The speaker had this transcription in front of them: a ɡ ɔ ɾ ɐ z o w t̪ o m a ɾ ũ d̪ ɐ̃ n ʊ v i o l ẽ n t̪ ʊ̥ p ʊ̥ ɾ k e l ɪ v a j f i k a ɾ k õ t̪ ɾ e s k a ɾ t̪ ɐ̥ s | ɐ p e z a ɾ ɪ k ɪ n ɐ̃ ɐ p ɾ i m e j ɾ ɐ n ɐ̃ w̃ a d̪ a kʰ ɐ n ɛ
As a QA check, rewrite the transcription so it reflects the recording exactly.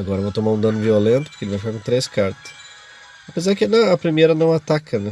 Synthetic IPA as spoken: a ɡ ɔ ɾ ɐ v o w t̪ o m a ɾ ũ d̪ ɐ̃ n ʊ v i o l ẽ n t̪ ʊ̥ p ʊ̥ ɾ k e l ɪ v a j f i k a ɾ k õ t̪ ɾ e s k a ɾ t̪ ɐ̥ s | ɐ p e z a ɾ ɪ k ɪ n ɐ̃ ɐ p ɾ i m e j ɾ ɐ n ɐ̃ w̃ a t̪ a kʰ ɐ n ɛ